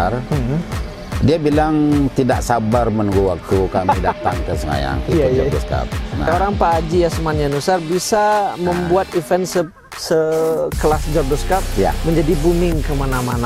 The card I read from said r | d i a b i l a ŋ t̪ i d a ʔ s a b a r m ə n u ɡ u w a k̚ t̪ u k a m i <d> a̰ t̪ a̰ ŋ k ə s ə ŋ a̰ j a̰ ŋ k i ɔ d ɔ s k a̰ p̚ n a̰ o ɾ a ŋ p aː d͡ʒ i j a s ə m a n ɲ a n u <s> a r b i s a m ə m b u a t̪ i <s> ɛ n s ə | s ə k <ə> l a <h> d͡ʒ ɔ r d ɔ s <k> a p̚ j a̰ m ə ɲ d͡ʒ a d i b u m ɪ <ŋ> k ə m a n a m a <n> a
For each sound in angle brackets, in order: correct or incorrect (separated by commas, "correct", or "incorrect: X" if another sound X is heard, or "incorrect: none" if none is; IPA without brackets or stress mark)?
correct, correct, incorrect: f, correct, incorrect: s, correct, correct, correct